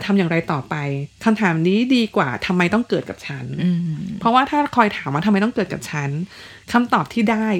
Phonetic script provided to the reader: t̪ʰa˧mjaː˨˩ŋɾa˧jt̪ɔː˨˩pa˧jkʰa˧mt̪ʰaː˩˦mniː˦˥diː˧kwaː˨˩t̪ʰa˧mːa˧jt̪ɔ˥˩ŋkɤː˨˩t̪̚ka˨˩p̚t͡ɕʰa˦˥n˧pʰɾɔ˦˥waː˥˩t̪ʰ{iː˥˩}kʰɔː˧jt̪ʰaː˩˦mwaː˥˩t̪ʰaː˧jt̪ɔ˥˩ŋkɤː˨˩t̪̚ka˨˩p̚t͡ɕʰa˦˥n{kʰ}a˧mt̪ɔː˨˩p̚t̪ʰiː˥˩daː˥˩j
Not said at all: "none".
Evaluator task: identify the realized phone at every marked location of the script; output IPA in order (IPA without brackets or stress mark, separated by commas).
aː˥˩, kʰ